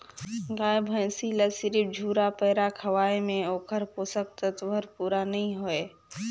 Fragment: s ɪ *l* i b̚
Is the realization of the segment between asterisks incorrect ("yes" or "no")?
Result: yes